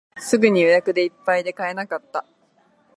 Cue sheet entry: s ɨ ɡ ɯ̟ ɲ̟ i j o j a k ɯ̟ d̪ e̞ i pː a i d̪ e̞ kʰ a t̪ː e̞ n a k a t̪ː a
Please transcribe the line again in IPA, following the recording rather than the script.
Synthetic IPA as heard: s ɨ ɡ ɯ̟ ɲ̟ i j o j a k ɯ̟ d̪ e̞ i pː a i d̪ e̞ k a e̞ n a k a t̪ː a